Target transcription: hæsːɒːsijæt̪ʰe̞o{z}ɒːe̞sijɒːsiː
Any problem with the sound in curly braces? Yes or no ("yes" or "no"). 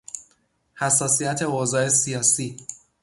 no